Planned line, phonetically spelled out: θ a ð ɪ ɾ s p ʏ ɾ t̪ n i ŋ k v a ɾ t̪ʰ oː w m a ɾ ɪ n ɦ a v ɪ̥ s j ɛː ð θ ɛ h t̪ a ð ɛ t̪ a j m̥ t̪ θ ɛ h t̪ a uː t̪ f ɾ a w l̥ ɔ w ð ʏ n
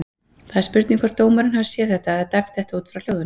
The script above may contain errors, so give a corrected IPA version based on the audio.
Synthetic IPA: θ a ð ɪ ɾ s p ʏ ɾ t̪ n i ŋ k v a ɾ t̪ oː w m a ɾ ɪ n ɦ a v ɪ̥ s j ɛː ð θ ɛ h t̪ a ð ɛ t̪ a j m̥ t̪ θ ɛ h t̪ a uː t̪ f ɾ a w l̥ o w ð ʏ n

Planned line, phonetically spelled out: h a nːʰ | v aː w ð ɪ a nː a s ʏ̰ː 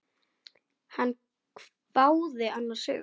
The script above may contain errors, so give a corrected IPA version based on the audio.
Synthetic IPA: h a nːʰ | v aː w ð ɪ a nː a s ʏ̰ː

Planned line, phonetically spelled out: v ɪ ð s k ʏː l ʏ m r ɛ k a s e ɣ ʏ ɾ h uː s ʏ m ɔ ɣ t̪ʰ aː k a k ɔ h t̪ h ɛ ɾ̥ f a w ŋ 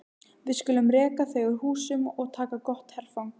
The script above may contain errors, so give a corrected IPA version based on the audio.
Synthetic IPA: v ɪ ð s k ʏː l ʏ m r ɛː k a θ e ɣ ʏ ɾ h uː s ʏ m ɔ ɣ t̪ʰ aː k a k ɔ h t̪ h ɛ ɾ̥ f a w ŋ

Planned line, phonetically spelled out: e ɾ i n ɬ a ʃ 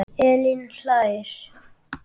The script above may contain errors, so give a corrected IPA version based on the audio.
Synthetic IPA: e l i n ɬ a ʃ

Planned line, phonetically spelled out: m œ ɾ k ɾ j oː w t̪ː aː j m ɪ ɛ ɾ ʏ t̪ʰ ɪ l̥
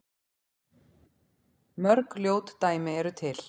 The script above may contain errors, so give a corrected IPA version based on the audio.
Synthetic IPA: m œ ɾ k l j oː w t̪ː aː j m ɪ ɛ ɾ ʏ t̪ʰ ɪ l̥

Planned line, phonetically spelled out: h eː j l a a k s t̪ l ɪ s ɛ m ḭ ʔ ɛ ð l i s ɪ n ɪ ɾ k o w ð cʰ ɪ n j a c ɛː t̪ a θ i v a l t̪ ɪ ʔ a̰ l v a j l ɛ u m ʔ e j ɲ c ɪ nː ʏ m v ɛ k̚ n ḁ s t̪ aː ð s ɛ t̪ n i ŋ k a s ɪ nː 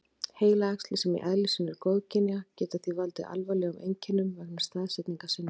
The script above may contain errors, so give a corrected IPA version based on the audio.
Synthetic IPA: h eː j l a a k s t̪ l ɪ s ɛ m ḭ ʔ ɛ ð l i s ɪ n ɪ ɾ k o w ð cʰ ɪ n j a c ɛː t̪ a θ i v a l t̪ ɪ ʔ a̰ l v a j l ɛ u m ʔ e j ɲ c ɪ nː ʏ m v ɛ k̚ n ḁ s t̪ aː ð s ɛ t̪ n i ŋ k a s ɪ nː

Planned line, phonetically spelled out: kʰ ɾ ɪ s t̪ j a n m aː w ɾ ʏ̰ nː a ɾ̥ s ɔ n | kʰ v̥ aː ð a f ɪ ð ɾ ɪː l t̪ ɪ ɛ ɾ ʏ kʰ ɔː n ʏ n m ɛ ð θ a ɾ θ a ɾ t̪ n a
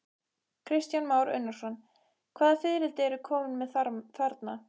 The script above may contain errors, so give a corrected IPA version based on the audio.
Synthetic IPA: kʰ ɾ ɪ s t̪ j a n m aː w ɾ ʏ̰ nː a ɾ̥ s ɔ n | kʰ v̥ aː ð a f ɪ ð ɾ ɪ l t̪ ɪ ɛ ɾ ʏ kʰ ɔː m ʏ n m ɛ ð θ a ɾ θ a ɾ t̪ n a

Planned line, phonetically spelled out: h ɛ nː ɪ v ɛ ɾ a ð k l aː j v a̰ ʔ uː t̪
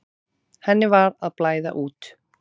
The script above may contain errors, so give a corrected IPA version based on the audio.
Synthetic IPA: h ɛ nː ɪ v a ɾ a ð p l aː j ð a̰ ʔ uː t̪

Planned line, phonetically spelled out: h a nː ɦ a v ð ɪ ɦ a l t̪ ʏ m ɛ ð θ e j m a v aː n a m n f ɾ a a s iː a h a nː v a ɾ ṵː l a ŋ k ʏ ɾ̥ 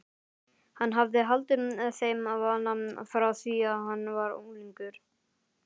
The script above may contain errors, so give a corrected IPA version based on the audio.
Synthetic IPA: h a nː ɦ a v ð ɪ ɦ a l t̪ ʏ m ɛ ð θ e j m a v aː n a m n f ɾ a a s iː a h a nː v a ɾ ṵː l i ŋ k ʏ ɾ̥

